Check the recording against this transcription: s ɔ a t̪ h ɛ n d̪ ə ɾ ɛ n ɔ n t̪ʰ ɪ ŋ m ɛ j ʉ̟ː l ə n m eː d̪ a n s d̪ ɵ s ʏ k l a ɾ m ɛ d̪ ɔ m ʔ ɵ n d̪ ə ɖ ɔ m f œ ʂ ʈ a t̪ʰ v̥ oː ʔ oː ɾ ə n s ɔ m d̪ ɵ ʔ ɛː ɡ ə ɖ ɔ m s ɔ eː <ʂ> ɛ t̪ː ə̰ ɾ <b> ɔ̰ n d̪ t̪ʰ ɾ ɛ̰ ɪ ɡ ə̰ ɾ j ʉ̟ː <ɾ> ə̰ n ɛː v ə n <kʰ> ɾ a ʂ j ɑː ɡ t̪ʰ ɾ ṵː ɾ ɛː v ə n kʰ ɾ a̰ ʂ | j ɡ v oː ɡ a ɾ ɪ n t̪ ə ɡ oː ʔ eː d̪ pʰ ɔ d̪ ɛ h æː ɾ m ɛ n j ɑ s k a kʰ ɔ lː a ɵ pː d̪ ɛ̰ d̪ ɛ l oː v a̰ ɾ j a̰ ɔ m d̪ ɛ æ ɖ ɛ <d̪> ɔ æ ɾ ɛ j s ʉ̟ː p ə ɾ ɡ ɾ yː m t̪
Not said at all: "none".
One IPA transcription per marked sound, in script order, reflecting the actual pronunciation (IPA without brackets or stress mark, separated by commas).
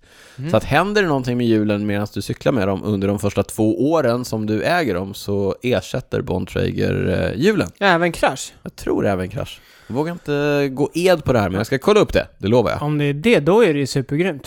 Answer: ʂ, b, l, kʰ, d̪